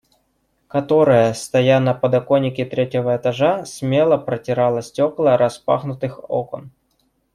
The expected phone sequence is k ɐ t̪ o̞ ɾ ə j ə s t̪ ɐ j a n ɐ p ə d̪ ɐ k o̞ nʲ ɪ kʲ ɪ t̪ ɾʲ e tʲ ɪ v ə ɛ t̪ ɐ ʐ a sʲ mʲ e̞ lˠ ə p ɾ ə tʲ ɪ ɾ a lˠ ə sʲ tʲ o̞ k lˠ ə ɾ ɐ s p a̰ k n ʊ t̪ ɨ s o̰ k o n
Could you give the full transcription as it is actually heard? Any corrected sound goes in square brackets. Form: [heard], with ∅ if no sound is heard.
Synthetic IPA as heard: k ɐ t̪ o̞ ɾ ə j ə s t̪ ɐ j a n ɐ p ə d̪ ɐ k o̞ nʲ ɪ kʲ ɪ t̪ ɾʲ e tʲ ɪ v ə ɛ t̪ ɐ ʐ a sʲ mʲ e̞ lˠ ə p ɾ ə tʲ ɪ ɾ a lˠ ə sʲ tʲ o̞ k lˠ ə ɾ ɐ s p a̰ [x] n ʊ t̪ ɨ [x] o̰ k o n

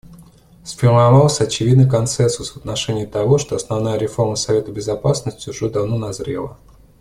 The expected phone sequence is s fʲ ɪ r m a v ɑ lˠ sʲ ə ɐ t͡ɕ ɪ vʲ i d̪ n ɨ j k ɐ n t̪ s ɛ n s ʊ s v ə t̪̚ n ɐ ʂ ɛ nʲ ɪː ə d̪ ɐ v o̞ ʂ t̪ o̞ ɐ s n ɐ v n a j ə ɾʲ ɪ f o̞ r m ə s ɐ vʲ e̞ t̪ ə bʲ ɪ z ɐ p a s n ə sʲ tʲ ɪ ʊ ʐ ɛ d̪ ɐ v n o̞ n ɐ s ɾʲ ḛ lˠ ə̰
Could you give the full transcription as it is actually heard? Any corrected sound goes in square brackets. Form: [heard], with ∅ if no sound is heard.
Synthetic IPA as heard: s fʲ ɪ r m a v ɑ lˠ sʲ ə ɐ t͡ɕ ɪ vʲ i d̪ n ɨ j k ɐ n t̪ s ɛ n s ʊ s v ə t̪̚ n ɐ ʂ ɛ nʲ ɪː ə [t̪] ɐ v o̞ ʂ t̪ o̞ ɐ s n ɐ v n a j ə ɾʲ ɪ f o̞ r m ə s ɐ vʲ e̞ t̪ ə bʲ ɪ z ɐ p a s n ə sʲ tʲ ɪ ʊ ʐ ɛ d̪ ɐ v n o̞ n ɐ [z] ɾʲ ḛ lˠ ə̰

